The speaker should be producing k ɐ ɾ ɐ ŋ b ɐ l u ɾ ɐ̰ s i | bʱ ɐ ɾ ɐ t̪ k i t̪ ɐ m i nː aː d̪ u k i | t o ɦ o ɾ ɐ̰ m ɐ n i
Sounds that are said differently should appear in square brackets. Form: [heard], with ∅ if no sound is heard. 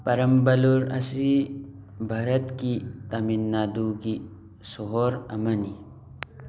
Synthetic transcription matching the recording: [p] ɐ ɾ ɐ [m] b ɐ l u ɾ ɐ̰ s i | bʱ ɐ ɾ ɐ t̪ k i t̪ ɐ m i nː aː d̪ u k i | [s] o ɦ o ɾ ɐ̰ m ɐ n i